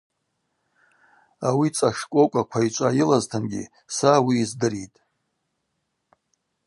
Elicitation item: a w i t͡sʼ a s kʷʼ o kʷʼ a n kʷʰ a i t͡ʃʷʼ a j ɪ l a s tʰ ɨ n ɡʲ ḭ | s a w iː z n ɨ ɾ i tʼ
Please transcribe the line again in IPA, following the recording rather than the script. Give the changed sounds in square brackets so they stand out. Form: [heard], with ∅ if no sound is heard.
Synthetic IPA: a w i t͡sʼ a [ʂ] kʷʼ o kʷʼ a [∅] kʷʰ a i t͡ʃʷʼ a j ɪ l a [z] tʰ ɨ n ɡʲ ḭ | s a w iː z [d] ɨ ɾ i tʼ